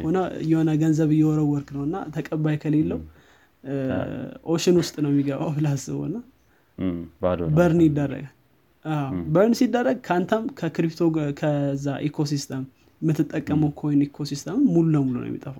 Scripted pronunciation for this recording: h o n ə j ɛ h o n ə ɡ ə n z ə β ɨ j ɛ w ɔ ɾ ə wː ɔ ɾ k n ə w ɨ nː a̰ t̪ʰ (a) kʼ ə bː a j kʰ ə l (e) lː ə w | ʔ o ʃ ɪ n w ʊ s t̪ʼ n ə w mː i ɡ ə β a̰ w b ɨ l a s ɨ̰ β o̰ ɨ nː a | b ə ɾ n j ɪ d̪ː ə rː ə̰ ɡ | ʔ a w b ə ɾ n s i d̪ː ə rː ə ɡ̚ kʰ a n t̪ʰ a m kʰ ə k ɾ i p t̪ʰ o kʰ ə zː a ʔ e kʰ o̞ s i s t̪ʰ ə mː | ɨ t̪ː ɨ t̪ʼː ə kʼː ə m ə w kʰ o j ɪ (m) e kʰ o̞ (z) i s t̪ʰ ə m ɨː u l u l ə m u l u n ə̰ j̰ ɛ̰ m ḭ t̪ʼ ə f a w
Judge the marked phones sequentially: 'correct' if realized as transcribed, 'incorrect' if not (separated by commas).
incorrect, correct, incorrect, incorrect